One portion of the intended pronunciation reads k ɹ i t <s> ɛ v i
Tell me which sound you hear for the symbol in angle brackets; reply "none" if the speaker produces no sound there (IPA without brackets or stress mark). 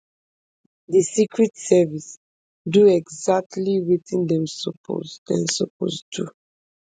s